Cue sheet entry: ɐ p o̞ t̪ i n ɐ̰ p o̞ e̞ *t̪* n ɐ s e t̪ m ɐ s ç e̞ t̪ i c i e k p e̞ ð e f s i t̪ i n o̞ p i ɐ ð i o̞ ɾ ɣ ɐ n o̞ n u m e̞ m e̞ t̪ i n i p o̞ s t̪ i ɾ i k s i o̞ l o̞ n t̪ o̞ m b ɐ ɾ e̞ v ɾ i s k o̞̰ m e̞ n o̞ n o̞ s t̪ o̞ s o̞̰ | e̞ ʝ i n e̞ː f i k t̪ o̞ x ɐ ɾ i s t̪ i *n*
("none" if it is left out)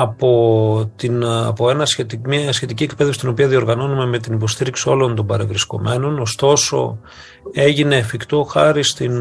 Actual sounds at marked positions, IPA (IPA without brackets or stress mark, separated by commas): none, n